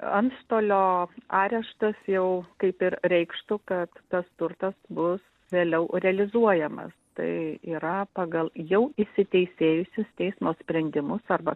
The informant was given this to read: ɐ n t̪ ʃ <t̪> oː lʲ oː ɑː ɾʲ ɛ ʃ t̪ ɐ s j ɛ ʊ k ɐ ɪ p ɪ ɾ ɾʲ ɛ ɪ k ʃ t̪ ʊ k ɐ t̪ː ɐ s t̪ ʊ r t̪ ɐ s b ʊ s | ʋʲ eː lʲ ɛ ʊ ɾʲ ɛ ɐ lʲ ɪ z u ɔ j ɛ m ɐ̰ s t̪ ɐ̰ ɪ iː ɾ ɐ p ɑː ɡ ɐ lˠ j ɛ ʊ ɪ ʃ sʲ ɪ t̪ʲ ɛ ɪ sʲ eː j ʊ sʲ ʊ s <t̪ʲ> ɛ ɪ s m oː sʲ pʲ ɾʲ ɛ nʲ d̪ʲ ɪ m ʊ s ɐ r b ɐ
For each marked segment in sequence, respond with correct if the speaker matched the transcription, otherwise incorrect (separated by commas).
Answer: correct, correct